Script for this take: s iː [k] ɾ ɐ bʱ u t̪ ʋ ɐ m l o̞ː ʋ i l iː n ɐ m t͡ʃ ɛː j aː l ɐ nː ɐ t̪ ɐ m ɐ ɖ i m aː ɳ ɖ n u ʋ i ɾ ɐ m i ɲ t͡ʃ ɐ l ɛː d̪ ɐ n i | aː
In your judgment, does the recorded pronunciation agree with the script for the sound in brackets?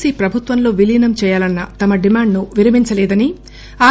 no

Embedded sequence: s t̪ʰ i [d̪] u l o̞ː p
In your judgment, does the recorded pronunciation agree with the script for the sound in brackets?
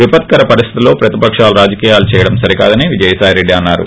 no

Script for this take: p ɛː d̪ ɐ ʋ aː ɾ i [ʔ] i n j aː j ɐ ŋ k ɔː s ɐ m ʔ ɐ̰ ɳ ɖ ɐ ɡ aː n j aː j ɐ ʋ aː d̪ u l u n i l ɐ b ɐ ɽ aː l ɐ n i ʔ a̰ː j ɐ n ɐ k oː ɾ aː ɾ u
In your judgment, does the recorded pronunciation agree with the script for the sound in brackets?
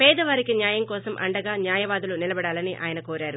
no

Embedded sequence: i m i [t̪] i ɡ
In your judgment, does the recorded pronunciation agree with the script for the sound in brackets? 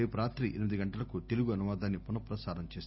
no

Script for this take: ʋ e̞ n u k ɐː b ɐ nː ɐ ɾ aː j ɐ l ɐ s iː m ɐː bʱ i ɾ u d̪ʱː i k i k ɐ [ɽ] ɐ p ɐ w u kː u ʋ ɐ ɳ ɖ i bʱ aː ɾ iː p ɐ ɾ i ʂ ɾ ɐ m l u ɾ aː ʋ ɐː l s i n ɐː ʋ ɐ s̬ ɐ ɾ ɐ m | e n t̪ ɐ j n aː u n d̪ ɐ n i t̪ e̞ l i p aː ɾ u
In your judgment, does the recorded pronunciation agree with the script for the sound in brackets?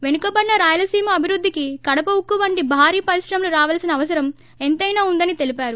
yes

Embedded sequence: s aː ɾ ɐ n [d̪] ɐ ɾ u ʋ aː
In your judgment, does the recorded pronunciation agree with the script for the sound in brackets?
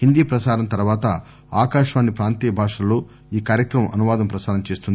no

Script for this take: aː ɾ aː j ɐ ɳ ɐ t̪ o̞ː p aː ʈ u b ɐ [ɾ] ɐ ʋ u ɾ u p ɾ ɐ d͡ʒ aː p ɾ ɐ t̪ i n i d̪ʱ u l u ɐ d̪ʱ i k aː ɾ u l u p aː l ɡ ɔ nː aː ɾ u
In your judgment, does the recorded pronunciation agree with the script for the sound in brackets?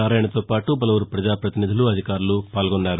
no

